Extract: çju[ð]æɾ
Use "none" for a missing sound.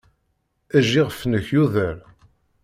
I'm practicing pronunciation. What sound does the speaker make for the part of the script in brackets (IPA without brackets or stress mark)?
ð